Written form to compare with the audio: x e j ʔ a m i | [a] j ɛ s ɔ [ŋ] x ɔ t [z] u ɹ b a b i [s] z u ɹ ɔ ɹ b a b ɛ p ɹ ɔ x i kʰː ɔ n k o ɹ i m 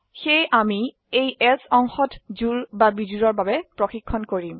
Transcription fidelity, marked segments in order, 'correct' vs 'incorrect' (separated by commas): incorrect, correct, correct, incorrect